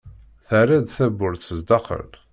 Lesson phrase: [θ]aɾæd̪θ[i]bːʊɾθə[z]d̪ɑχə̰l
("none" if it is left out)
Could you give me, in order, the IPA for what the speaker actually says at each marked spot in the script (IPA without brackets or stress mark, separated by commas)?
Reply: θ, æ, z